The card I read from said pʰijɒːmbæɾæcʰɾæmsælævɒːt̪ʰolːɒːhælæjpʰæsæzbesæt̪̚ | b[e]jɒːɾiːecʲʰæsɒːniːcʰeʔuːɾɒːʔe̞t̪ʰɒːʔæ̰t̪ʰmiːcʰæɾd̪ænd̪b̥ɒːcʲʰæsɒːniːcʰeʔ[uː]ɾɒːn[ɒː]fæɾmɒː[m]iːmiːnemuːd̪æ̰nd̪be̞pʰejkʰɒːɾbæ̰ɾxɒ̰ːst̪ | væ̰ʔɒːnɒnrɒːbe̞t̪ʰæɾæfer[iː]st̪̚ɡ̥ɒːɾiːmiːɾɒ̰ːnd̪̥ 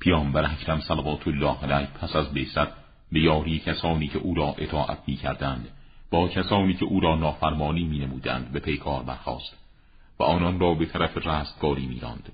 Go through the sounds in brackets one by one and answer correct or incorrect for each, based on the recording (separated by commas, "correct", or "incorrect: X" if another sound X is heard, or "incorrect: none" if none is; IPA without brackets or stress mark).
correct, correct, correct, incorrect: n, incorrect: æː